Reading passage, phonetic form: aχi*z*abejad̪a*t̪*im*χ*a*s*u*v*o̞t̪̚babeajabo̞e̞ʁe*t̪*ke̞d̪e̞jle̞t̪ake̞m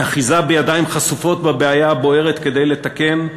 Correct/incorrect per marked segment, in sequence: correct, incorrect, correct, correct, incorrect, correct

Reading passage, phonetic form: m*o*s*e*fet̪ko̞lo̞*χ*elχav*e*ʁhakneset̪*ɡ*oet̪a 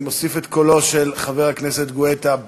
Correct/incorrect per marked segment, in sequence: correct, incorrect, incorrect, correct, correct

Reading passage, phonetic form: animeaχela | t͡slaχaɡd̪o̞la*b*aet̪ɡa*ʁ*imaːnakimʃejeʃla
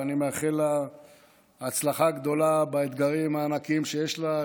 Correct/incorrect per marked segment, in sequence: correct, correct

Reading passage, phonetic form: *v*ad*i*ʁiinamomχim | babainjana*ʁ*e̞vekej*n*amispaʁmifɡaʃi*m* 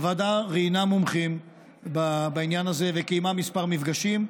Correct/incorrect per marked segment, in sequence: correct, incorrect, incorrect, incorrect, correct

